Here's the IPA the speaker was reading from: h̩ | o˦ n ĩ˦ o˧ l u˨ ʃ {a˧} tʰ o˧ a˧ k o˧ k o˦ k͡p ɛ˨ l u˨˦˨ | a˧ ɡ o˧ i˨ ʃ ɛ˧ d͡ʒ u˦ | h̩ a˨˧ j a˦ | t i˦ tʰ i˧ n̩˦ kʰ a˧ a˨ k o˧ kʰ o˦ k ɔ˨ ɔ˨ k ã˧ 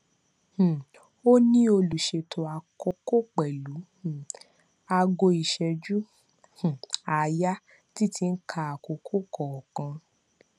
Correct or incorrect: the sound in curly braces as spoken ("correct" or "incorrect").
incorrect